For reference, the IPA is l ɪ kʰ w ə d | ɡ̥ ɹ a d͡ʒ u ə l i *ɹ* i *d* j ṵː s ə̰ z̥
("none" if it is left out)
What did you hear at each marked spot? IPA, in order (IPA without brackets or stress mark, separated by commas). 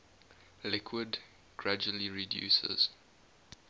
ɹ, d